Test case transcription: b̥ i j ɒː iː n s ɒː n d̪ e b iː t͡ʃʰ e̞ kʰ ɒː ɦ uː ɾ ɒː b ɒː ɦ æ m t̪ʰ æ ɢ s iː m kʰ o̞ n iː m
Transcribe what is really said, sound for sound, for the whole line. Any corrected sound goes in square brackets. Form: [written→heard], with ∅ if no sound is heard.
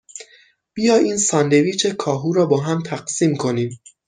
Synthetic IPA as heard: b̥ i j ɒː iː n s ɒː n d̪ e [b→v] iː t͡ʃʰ e̞ kʰ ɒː ɦ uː ɾ ɒː b ɒː ɦ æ m t̪ʰ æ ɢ s iː m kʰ o̞ n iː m